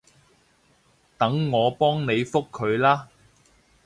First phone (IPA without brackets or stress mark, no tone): t̪